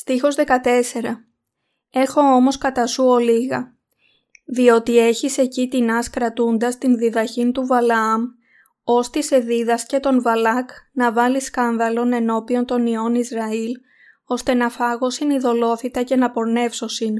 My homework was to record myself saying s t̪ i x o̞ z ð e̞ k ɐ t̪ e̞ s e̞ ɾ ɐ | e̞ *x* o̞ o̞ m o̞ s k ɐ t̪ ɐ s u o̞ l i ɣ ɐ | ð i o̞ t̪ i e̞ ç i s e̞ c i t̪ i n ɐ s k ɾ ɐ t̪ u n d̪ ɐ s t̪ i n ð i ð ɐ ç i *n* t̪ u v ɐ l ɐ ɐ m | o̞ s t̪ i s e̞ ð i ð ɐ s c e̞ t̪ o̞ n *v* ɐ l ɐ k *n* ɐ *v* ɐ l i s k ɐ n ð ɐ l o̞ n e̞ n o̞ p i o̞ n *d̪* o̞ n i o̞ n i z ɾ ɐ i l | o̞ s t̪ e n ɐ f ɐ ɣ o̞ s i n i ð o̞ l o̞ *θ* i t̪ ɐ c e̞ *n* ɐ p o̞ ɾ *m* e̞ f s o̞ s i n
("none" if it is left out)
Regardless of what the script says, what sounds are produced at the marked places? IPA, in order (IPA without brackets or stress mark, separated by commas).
x, n, v, n, v, t̪, θ, n, n